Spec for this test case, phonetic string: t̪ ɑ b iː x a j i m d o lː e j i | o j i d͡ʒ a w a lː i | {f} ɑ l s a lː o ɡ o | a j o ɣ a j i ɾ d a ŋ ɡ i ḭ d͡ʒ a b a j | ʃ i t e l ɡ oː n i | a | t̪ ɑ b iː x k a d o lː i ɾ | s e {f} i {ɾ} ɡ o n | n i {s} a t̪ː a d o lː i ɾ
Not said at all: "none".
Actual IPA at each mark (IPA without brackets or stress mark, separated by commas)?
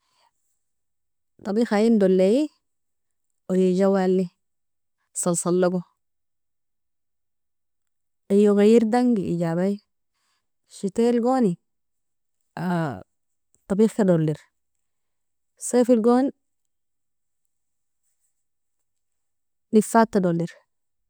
s, f, l, f